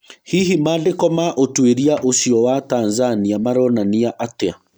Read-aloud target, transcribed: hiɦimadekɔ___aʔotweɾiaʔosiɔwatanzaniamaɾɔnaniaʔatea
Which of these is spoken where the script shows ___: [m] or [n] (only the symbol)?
m